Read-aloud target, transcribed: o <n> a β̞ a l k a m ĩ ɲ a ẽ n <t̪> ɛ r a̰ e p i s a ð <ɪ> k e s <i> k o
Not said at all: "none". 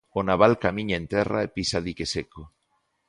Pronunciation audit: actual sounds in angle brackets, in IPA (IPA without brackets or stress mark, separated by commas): n, t̪, i, e